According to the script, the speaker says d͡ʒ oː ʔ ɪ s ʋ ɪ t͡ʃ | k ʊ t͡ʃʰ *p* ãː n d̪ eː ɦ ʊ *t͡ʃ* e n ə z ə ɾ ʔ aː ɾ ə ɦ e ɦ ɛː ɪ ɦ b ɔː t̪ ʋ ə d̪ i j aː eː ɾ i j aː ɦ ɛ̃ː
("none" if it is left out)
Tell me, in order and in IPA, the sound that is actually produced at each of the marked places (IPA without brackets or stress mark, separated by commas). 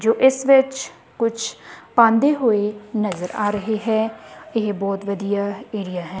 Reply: p, none